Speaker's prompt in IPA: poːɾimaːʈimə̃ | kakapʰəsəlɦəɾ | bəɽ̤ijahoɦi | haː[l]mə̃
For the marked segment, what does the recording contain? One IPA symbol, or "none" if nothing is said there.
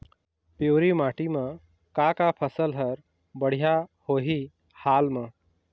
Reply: l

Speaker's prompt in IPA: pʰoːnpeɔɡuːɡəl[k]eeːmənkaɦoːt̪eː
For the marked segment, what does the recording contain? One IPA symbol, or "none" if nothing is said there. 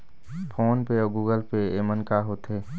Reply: p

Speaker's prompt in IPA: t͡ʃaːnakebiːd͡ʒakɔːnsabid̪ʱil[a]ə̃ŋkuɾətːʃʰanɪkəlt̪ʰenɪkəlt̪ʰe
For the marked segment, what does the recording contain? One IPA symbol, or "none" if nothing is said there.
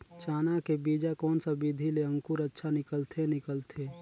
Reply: e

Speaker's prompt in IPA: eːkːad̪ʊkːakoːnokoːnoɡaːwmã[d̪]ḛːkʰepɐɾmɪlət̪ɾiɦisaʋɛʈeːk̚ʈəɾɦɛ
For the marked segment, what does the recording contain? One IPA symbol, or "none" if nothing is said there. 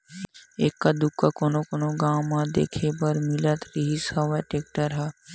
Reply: d̪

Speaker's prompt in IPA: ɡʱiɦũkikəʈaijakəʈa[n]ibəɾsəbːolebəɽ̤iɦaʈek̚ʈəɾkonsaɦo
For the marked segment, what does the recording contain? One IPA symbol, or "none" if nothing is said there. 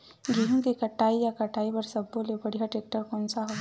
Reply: none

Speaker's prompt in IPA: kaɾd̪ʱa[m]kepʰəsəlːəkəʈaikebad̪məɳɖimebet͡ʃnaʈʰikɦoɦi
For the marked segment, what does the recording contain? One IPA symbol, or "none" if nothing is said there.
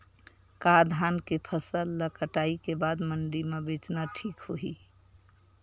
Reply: n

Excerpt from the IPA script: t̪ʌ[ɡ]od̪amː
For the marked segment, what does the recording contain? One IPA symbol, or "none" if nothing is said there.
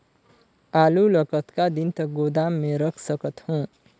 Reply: ɡ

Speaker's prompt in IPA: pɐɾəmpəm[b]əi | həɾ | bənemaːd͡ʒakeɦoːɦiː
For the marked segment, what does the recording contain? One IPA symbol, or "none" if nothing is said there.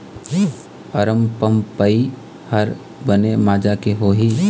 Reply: p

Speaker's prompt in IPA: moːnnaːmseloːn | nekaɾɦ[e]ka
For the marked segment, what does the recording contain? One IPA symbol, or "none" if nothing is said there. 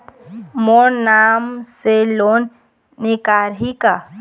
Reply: i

